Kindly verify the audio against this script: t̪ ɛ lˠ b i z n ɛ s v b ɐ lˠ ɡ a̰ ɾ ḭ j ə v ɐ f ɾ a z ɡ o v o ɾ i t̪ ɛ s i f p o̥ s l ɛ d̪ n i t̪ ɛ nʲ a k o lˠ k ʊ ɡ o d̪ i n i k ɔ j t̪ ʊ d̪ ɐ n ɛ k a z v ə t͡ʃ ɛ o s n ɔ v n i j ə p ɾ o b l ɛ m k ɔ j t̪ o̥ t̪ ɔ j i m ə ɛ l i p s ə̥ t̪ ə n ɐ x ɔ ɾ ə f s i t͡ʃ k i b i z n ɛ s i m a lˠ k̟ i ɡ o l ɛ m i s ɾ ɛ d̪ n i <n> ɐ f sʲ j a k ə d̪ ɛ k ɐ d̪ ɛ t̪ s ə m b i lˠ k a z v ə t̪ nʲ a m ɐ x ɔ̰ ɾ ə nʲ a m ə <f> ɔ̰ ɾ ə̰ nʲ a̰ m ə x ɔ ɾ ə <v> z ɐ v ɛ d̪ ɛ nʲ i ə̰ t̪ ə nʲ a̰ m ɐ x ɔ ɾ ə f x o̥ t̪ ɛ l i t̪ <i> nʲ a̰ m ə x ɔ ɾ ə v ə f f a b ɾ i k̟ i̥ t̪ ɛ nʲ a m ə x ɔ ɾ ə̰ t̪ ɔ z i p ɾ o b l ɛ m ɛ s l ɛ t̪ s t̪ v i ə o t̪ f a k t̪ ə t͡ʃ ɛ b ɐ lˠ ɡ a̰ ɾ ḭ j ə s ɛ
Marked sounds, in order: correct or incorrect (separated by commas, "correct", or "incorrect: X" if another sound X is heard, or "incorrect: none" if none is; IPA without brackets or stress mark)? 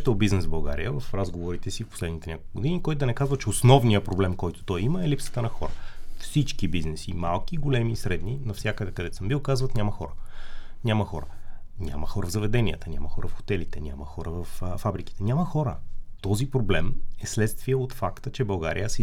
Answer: correct, incorrect: x, correct, incorrect: ɛ